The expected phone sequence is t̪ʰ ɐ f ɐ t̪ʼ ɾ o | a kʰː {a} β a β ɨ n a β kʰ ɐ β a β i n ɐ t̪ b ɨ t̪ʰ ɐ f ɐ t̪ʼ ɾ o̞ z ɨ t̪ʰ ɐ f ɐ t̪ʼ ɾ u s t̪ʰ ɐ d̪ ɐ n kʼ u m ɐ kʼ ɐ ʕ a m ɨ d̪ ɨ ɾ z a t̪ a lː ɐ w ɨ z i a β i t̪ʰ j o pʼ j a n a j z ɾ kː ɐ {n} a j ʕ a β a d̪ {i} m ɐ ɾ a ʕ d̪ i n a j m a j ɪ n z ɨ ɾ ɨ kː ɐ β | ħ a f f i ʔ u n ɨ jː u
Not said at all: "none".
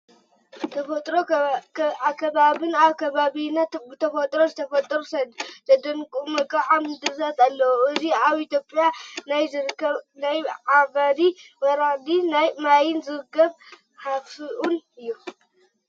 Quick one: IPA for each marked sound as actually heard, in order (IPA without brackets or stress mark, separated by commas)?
ɐ, n, i